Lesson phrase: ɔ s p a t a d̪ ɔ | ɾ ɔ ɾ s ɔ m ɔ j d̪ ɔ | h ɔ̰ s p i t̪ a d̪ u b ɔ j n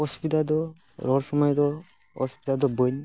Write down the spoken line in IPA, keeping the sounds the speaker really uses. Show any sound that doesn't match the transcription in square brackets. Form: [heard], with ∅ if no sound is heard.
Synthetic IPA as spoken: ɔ s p [i] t a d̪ ɔ | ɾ ɔ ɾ s ɔ m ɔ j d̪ ɔ | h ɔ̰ s p i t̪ a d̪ [ɔ] b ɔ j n